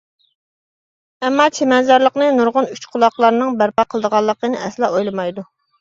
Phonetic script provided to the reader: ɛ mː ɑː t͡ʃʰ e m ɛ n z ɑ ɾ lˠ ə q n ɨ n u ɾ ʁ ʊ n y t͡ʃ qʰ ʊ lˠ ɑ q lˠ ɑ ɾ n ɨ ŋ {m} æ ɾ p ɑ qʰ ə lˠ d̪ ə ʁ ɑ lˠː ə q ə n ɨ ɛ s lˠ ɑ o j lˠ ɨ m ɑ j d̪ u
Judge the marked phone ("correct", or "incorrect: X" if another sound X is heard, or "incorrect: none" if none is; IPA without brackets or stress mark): incorrect: b